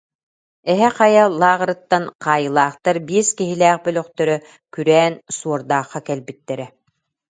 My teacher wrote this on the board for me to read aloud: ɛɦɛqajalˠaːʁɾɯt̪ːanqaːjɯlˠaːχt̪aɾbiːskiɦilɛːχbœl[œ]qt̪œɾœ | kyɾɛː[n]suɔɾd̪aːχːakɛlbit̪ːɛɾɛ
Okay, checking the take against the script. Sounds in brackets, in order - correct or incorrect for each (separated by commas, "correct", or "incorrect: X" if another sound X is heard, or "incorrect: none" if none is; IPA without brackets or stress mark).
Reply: correct, correct